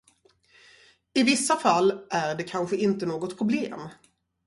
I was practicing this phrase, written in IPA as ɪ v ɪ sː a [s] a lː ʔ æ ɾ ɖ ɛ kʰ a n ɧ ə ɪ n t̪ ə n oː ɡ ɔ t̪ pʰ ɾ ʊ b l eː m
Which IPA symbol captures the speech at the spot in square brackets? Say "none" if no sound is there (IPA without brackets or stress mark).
f